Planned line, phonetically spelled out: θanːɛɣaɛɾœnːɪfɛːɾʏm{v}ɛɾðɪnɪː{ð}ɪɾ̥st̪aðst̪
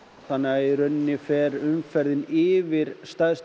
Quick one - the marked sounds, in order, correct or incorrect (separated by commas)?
incorrect, incorrect